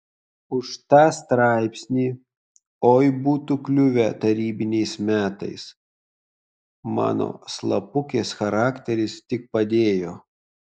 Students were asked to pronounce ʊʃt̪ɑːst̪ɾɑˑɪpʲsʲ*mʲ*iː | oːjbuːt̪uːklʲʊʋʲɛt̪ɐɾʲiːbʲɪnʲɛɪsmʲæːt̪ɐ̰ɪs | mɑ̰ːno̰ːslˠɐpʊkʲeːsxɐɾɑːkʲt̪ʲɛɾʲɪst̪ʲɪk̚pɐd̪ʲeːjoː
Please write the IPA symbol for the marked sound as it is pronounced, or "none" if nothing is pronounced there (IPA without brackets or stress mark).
nʲ